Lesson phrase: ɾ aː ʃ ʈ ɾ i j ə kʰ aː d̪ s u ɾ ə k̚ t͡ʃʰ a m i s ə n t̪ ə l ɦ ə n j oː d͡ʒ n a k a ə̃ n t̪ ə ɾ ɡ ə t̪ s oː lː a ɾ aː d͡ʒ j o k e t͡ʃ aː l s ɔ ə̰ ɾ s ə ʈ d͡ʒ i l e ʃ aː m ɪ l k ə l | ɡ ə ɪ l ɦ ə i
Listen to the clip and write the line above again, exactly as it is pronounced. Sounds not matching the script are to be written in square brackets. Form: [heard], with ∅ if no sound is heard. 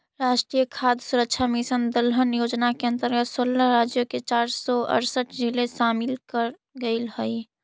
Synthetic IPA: ɾ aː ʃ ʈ ɾ i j ə kʰ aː d̪ s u ɾ ə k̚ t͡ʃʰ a m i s ə n [d̪] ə l ɦ ə n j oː d͡ʒ n a k [e] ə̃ n t̪ ə ɾ ɡ ə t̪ s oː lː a ɾ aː d͡ʒ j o k e t͡ʃ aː [ɾ] s ɔ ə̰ ɾ s ə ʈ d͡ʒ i l e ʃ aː m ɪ l k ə [ɾ] | ɡ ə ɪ l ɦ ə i